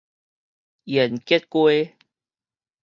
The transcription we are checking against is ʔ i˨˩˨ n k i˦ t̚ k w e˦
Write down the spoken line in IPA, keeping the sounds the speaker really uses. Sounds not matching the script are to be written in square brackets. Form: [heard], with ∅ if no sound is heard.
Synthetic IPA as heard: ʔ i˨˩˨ n k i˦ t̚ k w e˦